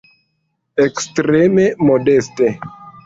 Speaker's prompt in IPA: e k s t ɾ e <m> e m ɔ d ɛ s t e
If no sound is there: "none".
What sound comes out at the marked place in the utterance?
m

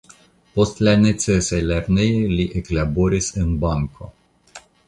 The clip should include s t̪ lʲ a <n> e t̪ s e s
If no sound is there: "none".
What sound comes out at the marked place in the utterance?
n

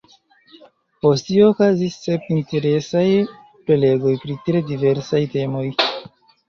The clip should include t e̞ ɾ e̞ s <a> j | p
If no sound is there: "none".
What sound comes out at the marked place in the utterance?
a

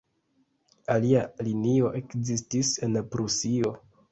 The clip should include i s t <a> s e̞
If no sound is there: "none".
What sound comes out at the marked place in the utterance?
i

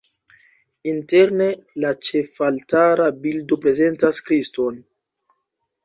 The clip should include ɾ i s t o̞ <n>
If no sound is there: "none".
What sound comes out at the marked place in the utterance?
n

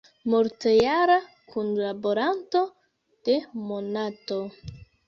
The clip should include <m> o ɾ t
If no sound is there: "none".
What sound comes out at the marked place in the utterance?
m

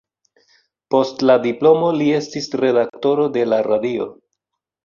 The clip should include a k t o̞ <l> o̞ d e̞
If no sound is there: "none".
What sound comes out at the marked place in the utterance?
ɾ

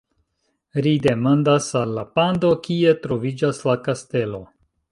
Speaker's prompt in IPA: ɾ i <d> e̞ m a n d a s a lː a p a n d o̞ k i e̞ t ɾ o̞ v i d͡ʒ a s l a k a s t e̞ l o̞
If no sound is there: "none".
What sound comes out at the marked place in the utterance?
d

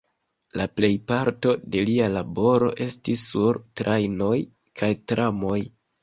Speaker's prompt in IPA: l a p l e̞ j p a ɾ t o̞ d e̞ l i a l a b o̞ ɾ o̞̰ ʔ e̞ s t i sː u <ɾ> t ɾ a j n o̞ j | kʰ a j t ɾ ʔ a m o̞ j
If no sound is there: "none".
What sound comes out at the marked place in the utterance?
ɾ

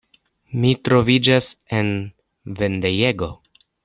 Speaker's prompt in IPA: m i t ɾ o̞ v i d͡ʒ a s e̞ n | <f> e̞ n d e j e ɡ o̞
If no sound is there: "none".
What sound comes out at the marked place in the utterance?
v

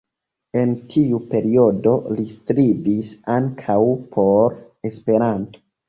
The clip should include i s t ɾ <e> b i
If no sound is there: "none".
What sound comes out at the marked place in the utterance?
i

